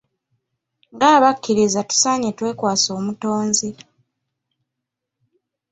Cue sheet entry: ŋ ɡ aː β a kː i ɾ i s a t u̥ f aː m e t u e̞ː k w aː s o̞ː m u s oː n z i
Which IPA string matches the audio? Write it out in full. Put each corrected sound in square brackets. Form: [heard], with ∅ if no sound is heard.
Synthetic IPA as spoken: ŋ ɡ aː β a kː i ɾ i [z] a t u̥ [s] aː [ɲ] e t [w] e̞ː k w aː s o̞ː m u [t] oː n z i

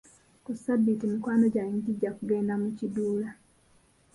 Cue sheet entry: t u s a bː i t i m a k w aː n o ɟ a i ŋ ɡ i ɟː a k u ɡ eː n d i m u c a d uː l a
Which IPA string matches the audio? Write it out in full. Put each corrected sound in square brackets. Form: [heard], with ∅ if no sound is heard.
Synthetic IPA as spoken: [k] u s a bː i t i m [i] k w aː n o ɟ a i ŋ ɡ i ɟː a k u ɡ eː n d [a] m u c [i] d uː l a

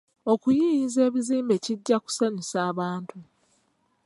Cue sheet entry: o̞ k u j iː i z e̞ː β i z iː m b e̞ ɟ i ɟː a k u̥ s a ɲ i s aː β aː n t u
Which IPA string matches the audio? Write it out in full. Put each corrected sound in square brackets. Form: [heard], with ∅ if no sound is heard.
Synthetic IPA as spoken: o̞ k u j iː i z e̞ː β i z iː m b e̞ [c] i ɟː a k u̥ s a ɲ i s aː β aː n t u

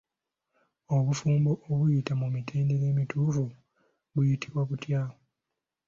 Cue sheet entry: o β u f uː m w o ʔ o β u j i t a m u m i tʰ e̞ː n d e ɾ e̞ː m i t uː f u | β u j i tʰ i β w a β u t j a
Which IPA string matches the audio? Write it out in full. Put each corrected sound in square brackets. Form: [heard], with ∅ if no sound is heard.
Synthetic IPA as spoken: o β u f uː m [b] o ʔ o β u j i t a m u m i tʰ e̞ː n d e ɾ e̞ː m i t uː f u | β u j i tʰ i β w a β u t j a

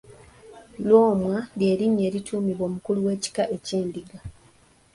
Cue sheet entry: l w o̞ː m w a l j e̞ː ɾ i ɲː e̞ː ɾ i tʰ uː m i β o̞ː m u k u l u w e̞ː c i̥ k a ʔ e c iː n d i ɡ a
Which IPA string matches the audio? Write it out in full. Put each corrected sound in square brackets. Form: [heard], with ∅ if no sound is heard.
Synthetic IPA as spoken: l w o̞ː m w a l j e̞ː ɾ i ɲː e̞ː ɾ i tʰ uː m i β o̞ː m u k u l u w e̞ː c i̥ k a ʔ e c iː n d i ɡ a

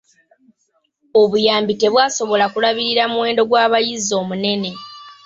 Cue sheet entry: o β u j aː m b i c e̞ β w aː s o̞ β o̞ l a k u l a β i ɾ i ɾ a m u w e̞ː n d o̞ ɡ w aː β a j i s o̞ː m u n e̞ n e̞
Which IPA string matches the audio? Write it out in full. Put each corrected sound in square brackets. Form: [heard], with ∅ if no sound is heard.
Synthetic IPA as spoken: o β u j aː m b i [t] e̞ β w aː s o̞ β o̞ l a k u l a β i ɾ i ɾ a m u w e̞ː n d o̞ ɡ w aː β a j i [z] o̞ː m u n e̞ n e̞

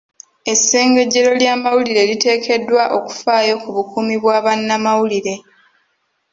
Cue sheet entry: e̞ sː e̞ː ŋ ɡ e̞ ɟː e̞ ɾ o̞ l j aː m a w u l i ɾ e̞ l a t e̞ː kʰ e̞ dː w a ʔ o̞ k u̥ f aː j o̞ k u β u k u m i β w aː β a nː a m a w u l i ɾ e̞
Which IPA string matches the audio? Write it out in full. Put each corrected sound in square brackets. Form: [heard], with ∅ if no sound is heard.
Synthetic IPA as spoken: e̞ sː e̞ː ŋ ɡ e̞ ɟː e̞ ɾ o̞ l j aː m a w u l i ɾ e̞ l [i] t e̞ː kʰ e̞ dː w a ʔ o̞ k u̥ f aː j o̞ k u β u k u m i β w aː β a nː a m a w u l i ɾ e̞

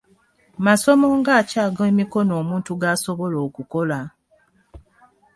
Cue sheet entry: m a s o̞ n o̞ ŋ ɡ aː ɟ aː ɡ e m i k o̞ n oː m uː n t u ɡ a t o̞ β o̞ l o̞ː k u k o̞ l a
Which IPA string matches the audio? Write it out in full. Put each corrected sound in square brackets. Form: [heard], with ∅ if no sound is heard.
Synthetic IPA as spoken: m a s o̞ [m] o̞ ŋ ɡ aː [c] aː ɡ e m i k o̞ n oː m uː n t u ɡ a [s] o̞ β o̞ l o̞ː k u k o̞ l a

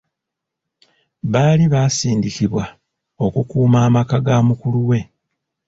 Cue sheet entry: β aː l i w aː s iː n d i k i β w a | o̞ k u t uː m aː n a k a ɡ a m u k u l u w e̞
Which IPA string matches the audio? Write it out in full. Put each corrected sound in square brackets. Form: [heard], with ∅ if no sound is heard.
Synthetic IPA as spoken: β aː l i [β] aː s iː n d i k i β w a | o̞ k u [k] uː m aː [m] a k a ɡ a m u k u l u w e̞

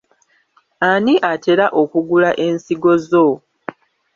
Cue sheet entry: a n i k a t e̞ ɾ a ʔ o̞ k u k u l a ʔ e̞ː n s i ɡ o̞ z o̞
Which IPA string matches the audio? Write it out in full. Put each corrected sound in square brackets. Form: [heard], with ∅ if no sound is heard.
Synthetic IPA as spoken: a n i [ʔ] a t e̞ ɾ a ʔ o̞ k u [ɡ] u l a ʔ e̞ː n s i ɡ o̞ z o̞

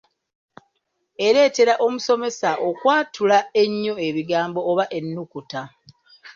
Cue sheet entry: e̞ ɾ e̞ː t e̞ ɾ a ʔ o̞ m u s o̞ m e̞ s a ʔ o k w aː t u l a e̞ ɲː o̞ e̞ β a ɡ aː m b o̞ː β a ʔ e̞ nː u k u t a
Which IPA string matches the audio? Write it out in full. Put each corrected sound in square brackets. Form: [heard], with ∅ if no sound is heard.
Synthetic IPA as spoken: e̞ ɾ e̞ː t e̞ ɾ a ʔ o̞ m u s o̞ m e̞ s a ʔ o k w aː t u l a e̞ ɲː o̞ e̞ β [i] ɡ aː m b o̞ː β a ʔ e̞ nː u k u t a

